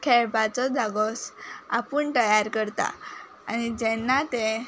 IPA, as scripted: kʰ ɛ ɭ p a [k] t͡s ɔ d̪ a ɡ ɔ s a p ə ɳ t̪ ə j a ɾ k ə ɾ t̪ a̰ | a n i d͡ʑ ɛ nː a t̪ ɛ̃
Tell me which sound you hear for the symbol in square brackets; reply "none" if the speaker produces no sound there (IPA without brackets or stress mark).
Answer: none